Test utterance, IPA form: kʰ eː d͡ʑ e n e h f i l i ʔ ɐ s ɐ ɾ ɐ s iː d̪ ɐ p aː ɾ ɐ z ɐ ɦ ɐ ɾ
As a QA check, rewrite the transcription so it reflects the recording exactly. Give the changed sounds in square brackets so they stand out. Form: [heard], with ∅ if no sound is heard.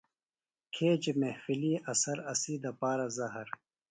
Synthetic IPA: kʰ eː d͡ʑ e [m] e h f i l i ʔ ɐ s ɐ ɾ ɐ s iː d̪ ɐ p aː ɾ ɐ z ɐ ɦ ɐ ɾ